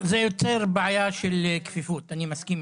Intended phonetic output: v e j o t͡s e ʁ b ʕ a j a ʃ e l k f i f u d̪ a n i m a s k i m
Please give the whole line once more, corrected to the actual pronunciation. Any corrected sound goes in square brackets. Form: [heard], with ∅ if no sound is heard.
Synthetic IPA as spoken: [z] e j o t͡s e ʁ b ʕ a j a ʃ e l k f i f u [t̪] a n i m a s k i m